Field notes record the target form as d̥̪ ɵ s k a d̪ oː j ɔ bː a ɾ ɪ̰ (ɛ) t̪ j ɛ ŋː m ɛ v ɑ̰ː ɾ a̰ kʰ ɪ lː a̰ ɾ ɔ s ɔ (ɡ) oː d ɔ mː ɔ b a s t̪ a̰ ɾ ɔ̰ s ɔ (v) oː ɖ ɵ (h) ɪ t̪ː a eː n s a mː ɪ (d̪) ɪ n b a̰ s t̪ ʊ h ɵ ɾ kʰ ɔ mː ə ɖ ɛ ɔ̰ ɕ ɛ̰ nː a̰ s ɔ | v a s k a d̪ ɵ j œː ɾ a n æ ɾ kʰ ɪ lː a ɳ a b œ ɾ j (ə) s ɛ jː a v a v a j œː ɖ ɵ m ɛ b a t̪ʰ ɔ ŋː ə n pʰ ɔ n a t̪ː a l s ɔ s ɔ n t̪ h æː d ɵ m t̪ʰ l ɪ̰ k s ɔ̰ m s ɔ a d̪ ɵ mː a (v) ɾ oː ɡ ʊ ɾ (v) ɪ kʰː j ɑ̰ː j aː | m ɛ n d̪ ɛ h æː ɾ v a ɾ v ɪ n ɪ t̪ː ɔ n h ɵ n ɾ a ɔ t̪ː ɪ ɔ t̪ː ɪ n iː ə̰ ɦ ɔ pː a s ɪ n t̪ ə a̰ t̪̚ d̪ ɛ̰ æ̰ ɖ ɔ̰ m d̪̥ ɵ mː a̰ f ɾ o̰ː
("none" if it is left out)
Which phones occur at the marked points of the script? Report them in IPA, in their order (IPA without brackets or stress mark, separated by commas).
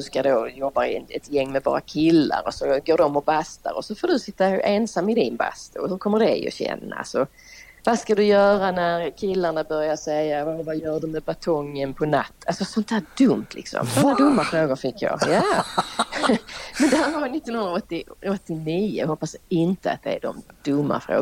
ɛ, ɡ, f, s, d̪, a, f, f